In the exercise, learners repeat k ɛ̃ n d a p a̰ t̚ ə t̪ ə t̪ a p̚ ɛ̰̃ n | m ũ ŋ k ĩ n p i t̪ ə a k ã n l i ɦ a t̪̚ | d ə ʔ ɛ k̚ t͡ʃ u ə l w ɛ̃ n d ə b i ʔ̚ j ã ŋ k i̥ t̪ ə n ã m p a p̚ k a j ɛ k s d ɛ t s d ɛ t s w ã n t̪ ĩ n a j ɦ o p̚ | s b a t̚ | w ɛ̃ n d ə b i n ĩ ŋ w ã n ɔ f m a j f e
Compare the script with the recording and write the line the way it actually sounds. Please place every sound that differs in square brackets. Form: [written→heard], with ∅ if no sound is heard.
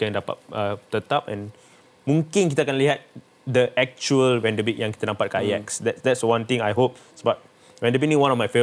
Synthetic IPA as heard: k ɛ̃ n d a p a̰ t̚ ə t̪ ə t̪ a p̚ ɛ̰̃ n | m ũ ŋ k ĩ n [p→k] i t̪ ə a k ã n l i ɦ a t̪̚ | d ə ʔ ɛ k̚ t͡ʃ u ə l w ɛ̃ n d ə b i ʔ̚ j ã ŋ k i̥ t̪ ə n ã m p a [p̚→t̚] k a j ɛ k s d ɛ t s d ɛ t s w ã n t̪ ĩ [n→ŋ] a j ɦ o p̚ | s b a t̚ | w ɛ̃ n d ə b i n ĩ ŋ w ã n ɔ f m a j f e